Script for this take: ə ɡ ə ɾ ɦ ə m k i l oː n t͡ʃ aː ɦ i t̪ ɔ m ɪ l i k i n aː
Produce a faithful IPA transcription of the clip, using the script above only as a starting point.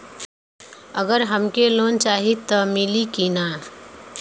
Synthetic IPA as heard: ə ɡ ə ɾ ɦ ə m k e l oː n t͡ʃ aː ɦ i t̪ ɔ m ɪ l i k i n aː